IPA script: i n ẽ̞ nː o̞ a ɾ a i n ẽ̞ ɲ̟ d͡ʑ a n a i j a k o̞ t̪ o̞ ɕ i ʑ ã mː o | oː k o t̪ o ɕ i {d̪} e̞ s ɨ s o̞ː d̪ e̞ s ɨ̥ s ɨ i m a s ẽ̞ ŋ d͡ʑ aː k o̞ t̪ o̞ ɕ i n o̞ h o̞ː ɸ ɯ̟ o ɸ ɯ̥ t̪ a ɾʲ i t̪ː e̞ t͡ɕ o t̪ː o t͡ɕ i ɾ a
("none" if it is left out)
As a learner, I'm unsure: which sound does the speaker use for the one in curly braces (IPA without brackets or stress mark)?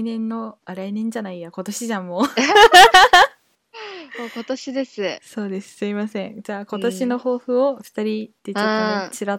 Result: d̪